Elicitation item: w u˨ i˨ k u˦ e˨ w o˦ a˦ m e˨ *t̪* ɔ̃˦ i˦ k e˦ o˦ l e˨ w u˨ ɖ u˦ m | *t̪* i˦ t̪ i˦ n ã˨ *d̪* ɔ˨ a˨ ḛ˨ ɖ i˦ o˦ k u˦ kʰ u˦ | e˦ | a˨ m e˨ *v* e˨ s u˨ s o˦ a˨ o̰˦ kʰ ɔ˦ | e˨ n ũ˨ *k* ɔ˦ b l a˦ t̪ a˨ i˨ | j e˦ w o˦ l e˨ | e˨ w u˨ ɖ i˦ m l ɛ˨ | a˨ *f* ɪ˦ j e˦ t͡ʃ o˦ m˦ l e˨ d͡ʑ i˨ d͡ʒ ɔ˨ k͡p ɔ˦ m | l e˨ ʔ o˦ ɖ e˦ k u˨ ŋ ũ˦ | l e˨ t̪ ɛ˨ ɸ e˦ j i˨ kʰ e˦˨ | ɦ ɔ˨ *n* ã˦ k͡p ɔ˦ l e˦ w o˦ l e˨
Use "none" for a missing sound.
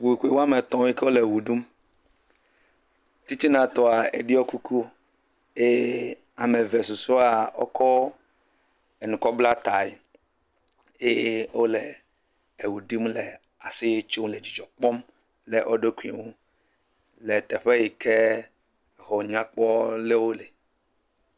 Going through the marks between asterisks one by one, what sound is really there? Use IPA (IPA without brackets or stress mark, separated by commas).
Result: t̪, t̪, t̪, v, k, s, ɲ